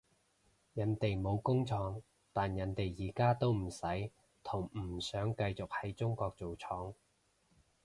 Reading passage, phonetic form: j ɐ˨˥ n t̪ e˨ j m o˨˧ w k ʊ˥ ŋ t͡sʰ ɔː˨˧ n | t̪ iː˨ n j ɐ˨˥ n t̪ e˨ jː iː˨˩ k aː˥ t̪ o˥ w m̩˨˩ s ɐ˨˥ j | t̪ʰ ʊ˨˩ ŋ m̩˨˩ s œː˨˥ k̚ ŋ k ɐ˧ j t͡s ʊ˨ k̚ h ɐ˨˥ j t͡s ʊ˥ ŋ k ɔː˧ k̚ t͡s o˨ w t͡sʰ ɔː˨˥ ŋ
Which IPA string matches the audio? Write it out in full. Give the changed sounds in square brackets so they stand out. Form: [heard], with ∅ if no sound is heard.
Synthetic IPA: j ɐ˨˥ n t̪ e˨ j m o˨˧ w k ʊ˥ ŋ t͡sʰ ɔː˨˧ [ŋ] | t̪ [aː˨] n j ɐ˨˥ n t̪ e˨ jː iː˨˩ k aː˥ t̪ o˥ w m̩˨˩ s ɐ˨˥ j | t̪ʰ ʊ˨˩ ŋ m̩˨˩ s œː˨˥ [∅] ŋ k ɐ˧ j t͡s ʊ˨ k̚ h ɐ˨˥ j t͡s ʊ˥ ŋ k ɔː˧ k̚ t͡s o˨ w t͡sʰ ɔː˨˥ ŋ